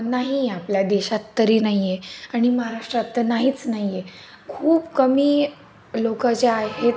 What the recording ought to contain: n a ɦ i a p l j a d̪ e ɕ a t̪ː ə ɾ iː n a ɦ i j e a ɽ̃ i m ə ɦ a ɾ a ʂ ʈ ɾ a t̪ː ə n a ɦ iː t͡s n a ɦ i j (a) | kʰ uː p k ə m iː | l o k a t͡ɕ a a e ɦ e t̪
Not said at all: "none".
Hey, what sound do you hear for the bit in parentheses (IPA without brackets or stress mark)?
e